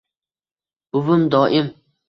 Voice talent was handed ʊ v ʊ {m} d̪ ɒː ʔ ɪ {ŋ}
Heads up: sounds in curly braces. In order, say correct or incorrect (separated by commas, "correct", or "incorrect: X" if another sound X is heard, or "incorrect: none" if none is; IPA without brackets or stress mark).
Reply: correct, incorrect: m